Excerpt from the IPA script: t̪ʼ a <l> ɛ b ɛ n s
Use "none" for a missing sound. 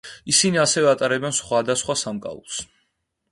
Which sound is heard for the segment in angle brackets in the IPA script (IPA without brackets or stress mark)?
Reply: ɾ